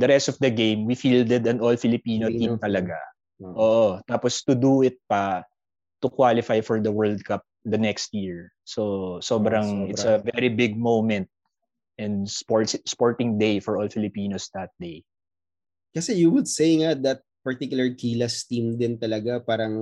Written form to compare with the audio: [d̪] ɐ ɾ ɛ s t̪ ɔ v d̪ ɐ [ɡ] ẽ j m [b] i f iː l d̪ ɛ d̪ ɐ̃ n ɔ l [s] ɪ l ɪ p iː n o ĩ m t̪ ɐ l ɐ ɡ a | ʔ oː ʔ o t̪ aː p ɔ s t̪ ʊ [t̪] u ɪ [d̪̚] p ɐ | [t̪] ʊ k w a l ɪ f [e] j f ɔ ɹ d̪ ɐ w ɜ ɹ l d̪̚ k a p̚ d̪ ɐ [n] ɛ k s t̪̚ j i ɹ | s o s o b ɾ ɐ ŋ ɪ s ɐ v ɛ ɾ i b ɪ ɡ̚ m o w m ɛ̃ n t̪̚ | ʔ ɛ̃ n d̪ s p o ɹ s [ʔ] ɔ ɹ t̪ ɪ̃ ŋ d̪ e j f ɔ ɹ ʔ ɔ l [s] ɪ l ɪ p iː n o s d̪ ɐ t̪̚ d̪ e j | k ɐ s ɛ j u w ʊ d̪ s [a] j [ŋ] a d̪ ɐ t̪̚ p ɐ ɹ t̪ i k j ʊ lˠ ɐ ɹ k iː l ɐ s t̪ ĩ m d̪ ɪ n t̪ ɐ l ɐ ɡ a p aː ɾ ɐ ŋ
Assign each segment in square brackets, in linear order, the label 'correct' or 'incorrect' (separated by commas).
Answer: correct, correct, incorrect, incorrect, incorrect, incorrect, correct, incorrect, correct, incorrect, incorrect, incorrect, correct